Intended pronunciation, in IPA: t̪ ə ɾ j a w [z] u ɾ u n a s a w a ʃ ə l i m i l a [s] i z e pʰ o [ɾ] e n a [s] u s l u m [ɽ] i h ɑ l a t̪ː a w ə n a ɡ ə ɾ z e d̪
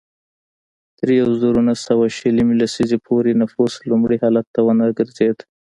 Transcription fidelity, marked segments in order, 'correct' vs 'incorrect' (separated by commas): correct, correct, correct, incorrect, correct